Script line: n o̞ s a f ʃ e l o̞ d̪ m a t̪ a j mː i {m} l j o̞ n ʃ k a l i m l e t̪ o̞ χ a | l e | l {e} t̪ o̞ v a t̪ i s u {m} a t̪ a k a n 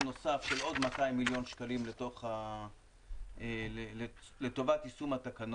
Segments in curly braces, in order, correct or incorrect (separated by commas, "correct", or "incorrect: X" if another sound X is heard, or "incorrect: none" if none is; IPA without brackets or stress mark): incorrect: none, correct, correct